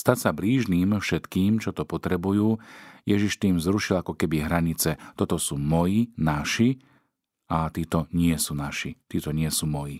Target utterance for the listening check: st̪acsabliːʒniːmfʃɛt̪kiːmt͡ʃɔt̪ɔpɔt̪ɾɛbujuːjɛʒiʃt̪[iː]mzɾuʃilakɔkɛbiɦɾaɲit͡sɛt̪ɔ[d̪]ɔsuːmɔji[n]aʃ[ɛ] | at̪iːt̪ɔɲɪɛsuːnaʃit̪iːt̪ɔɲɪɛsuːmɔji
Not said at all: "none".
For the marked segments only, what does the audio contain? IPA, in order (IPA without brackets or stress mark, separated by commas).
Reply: iː, t̪, n, i